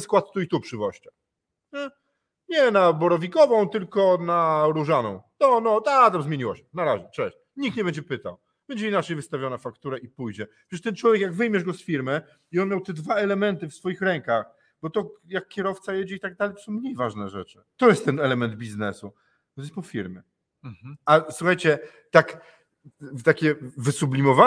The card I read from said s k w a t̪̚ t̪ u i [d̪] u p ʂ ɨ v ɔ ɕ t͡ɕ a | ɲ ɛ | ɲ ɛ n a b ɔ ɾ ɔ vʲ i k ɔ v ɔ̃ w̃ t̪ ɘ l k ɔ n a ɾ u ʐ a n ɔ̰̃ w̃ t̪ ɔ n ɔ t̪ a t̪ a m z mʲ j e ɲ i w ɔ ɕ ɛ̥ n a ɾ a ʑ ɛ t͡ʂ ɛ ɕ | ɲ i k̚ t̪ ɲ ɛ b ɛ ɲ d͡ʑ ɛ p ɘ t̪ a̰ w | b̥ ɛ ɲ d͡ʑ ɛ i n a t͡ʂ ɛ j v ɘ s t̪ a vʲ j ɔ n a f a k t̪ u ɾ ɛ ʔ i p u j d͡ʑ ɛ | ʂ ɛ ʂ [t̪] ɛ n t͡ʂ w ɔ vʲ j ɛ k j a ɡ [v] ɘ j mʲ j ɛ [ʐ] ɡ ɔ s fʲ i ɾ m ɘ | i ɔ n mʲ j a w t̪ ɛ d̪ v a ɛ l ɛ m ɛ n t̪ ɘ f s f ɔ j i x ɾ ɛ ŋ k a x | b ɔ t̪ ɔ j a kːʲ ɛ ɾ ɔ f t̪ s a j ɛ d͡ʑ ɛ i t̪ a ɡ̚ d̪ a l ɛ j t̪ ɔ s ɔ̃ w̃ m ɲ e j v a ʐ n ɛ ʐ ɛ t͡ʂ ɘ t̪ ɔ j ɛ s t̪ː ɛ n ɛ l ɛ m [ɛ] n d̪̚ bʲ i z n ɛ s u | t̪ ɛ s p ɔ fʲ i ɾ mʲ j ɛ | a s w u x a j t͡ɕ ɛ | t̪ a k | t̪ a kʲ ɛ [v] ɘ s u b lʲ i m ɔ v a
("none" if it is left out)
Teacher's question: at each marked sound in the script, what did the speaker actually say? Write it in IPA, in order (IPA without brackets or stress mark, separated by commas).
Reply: t̪, t̪, v, ʐ, ɛ, v